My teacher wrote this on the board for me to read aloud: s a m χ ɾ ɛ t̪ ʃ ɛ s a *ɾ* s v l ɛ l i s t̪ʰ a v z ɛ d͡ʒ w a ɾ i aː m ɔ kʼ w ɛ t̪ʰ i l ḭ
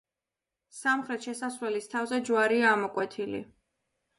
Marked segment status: incorrect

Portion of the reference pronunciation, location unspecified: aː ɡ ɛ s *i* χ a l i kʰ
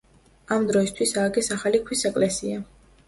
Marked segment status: incorrect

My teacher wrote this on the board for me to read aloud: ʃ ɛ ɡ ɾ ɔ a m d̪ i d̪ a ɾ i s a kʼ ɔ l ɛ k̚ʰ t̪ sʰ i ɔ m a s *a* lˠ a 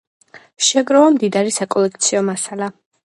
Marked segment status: correct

